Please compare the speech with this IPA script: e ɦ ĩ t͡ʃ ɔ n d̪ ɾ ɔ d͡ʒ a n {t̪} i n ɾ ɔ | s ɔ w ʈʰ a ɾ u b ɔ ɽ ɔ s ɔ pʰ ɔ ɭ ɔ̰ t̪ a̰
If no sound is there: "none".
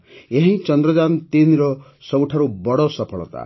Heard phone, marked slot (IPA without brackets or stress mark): t̪